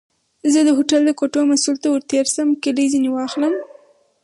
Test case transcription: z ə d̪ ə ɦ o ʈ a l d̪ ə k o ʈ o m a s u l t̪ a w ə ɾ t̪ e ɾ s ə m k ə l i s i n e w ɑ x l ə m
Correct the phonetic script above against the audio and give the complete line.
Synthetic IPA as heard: z ə d̪ ə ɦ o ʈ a l d̪ ə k o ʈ o m a s u l t̪ a w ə ɾ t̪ e ɾ s ə m k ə l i z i n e w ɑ x l ə m